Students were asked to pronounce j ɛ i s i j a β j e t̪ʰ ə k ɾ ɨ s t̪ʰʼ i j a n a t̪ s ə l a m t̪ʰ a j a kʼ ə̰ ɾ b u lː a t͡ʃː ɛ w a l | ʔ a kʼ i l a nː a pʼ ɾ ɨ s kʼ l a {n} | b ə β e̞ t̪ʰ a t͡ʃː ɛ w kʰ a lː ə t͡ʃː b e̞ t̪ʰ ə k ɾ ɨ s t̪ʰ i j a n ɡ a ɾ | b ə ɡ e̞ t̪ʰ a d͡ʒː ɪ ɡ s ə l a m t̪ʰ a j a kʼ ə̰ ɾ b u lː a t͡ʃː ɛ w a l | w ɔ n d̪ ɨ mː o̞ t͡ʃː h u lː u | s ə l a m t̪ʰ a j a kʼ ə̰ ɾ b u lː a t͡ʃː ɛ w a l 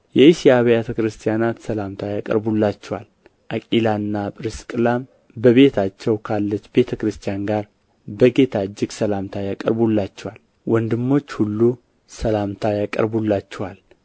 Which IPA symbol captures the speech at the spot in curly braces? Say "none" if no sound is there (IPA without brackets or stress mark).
m